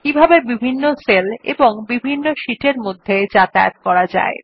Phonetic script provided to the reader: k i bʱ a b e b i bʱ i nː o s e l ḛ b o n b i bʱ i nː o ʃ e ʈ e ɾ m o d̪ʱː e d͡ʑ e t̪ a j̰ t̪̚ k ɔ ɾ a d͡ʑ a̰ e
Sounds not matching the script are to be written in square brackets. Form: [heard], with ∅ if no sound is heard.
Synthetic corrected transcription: k i bʱ a b e b i bʱ i nː o s e l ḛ b o [ŋ] b i bʱ i nː o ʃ [i] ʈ e ɾ m o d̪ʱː e d͡ʑ [a] t̪ a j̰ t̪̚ k ɔ ɾ a d͡ʑ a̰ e